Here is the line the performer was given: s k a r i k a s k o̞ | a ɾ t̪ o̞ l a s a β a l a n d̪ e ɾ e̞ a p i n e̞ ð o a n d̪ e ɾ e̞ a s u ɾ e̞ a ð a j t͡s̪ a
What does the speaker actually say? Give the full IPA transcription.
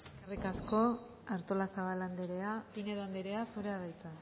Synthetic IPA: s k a r i k a s k o̞ | a ɾ t̪ o̞ l a s a β a l a n d̪ e ɾ e̞ a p i n e̞ ð o a n d̪ e ɾ e̞ a s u ɾ e̞ a ð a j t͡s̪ a